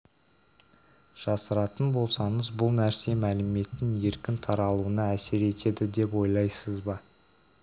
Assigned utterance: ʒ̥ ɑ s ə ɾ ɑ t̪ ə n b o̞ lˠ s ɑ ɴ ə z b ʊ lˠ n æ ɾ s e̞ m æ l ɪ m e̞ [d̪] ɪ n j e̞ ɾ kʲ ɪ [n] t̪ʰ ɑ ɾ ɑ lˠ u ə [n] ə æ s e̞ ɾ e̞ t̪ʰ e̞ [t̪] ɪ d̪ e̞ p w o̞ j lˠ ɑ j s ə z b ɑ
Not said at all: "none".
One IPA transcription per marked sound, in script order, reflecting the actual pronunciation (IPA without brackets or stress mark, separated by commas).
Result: t̪, n, n, d̪